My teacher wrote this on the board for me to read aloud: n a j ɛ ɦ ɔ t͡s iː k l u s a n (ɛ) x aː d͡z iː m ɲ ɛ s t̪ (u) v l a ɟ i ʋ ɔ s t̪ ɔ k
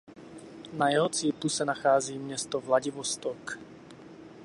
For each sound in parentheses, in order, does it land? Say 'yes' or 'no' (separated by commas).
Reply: no, no